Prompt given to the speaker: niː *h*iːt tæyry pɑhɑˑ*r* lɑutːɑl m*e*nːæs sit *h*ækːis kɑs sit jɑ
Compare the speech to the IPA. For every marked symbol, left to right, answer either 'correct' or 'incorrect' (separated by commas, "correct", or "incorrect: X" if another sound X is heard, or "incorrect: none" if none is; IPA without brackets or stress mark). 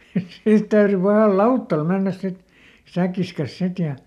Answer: incorrect: s, incorrect: l, correct, incorrect: s